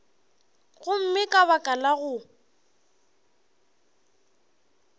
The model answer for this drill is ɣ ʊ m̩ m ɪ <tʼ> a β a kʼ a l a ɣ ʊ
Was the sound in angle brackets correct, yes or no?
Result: no